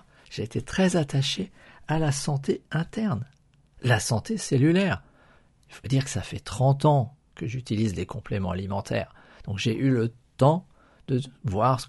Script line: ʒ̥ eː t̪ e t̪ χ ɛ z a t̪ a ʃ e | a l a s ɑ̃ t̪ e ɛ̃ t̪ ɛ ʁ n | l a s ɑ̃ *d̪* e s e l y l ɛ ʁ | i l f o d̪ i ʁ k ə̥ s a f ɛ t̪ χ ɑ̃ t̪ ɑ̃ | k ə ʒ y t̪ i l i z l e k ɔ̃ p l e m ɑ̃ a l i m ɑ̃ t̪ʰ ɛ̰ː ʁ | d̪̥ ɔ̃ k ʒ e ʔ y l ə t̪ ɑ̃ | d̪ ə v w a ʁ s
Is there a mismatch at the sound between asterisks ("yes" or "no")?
yes